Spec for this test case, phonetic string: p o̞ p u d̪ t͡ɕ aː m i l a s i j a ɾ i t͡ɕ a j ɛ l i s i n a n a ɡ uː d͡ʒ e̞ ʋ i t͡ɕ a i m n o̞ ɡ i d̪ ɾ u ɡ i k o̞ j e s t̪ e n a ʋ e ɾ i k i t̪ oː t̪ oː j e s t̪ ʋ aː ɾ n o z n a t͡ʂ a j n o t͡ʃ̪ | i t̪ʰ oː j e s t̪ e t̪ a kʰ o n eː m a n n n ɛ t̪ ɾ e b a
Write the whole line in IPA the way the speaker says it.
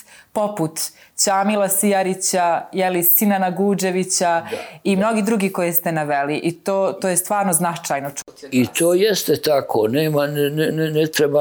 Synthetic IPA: p o̞ p u t̪ t͡ɕ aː m i l a s i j a ɾ i t͡ɕ a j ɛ l i s i n a n a ɡ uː d͡ʒ e̞ ʋ i t͡ɕ a i m n o̞ ɡ i d̪ ɾ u ɡ i k o̞ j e s t̪ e n a ʋ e l i ʔ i t̪ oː t̪ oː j e s t̪ ʋ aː ɾ n o z n a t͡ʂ a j n o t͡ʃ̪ | i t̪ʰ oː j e s t̪ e t̪ a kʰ o n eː m a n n n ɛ t̪ ɾ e b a